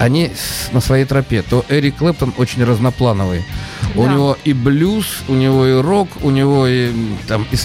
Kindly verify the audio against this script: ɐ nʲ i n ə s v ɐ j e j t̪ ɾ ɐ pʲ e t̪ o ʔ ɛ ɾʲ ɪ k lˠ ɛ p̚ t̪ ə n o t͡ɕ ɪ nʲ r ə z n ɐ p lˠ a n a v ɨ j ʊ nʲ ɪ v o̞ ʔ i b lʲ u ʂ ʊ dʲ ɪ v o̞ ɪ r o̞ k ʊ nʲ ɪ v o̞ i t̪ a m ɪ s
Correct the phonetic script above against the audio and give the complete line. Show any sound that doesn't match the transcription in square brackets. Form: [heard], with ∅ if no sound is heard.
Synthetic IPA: ɐ nʲ i n ə s v ɐ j e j t̪ ɾ ɐ pʲ e t̪ o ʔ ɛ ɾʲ ɪ k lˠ ɛ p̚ t̪ ə n o t͡ɕ ɪ nʲ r ə z n ɐ p lˠ a n [ə] v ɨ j ʊ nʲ ɪ v o̞ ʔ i b lʲ u [s] ʊ [nʲ] ɪ v o̞ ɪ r o̞ k ʊ nʲ ɪ v o̞ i t̪ a m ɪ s